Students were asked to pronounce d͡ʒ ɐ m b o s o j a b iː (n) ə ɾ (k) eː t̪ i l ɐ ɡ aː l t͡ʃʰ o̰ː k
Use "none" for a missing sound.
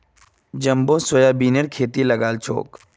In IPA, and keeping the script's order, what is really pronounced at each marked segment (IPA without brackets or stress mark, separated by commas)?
n, kʰ